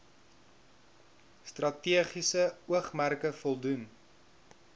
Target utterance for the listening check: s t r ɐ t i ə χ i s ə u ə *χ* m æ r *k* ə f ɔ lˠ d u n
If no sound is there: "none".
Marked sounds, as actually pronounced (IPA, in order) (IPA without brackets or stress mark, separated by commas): χ, k